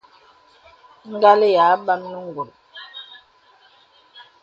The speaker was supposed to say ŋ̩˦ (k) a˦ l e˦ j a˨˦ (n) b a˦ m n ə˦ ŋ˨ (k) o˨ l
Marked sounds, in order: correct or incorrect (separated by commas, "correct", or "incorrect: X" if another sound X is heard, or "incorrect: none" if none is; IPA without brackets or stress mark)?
incorrect: ɡ, incorrect: none, incorrect: ɡ